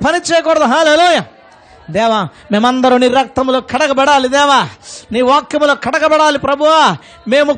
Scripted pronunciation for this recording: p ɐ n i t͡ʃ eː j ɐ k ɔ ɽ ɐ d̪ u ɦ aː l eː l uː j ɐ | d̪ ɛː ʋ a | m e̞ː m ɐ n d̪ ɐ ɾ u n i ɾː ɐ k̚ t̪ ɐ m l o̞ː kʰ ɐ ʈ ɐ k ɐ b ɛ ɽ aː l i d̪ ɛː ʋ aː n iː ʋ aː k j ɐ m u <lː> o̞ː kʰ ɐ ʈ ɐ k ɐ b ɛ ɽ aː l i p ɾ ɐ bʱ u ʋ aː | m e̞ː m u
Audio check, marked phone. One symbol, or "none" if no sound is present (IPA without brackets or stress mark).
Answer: l